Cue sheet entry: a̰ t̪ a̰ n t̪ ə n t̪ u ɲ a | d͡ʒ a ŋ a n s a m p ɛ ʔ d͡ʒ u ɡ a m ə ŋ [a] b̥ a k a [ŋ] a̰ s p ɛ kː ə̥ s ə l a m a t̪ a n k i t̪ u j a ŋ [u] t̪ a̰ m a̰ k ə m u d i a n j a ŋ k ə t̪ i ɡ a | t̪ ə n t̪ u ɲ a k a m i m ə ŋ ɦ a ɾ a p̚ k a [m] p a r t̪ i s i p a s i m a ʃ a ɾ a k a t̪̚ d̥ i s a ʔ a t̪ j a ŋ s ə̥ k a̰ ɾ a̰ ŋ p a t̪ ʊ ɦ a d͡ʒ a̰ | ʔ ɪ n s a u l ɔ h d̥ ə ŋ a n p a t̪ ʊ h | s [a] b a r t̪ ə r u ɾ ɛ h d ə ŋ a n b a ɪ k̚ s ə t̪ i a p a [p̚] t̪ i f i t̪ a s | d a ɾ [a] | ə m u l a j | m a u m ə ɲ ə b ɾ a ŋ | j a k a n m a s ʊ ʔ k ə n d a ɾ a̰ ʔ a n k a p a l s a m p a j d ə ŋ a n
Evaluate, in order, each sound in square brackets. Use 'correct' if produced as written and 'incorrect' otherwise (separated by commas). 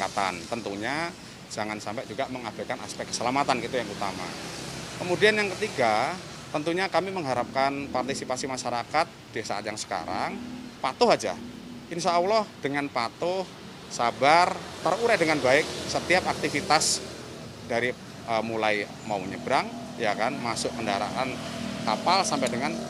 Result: correct, incorrect, correct, incorrect, correct, incorrect, incorrect